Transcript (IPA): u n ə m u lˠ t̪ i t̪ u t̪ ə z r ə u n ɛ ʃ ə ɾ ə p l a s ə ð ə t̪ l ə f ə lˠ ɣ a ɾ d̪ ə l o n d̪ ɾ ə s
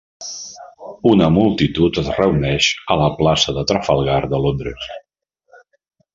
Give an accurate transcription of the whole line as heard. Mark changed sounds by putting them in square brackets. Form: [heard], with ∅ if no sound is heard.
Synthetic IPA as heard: u n ə m u lˠ t̪ i t̪ u t̪ ə z r ə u n ɛ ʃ ə [l] ə p l a s ə ð ə t̪ [ɾ] ə f ə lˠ ɣ a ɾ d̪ ə l o n d̪ ɾ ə s

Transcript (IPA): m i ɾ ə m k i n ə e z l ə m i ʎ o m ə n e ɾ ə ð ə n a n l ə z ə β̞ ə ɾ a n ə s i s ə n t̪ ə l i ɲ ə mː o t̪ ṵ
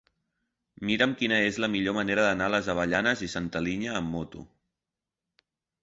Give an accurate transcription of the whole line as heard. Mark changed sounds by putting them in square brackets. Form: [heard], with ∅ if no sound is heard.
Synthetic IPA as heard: m i ɾ ə m k i n ə e z l ə m i ʎ o m ə n e ɾ ə ð ə n a [∅] l ə z ə β̞ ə [ʎ] a n ə [z] i s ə n t̪ ə l i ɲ [əː] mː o t̪ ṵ

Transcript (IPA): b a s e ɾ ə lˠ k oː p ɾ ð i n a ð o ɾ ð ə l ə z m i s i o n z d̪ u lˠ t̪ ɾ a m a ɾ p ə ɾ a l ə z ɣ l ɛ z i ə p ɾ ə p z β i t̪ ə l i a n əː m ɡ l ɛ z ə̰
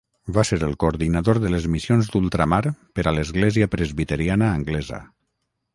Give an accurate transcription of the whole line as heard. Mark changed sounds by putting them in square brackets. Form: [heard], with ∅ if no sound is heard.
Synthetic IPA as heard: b a s e ɾ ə lˠ k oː [∅] ɾ ð i n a ð o ɾ ð ə l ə z m i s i o n z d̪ u lˠ t̪ ɾ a m a ɾ p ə ɾ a l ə z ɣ l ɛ z i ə p ɾ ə [∅] z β i t̪ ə [ɾ] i a n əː [ŋ] ɡ l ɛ z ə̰

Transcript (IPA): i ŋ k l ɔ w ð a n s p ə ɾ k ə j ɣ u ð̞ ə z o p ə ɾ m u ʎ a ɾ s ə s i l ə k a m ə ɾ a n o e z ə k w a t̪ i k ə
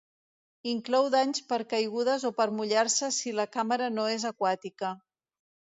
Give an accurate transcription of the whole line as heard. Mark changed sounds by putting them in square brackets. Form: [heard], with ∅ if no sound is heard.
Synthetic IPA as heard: i ŋ k l ɔ w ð a [ɲ] s p ə ɾ k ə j ɣ u ð̞ ə z o p ə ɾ m u ʎ a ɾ s ə s i l ə k a m ə ɾ [ə] n o e z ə k w a t̪ i k ə

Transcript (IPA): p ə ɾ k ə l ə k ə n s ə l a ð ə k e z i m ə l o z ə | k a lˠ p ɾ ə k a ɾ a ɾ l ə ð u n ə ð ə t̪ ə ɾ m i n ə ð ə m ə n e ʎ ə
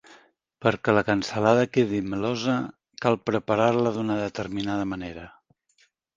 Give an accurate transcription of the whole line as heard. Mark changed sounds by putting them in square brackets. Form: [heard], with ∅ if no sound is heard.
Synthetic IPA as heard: p ə ɾ k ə l ə k ə n s ə l a ð ə k e [ð] i m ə l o z ə | k a lˠ p ɾ ə [p] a ɾ a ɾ l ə ð u n ə ð ə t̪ ə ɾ m i n [a] ð ə m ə n e [ɾ] ə

